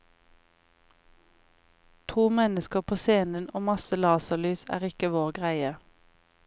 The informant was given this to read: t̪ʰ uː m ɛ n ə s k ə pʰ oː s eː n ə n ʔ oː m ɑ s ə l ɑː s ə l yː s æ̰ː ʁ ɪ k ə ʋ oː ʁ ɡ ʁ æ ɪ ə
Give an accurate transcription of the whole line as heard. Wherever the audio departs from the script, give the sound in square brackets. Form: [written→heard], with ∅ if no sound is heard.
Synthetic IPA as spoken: t̪ʰ uː m ɛ n ə s k ə pʰ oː s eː n ə n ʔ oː m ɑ s ə l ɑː s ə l yː s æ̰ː ʁ ɪ k ə ʋ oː ʁ ɡ ʁ æ ɪ ə